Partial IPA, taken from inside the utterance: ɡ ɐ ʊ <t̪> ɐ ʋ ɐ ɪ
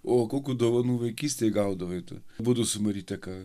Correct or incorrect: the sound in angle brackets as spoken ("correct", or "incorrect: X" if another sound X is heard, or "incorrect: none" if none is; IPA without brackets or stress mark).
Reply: incorrect: d̪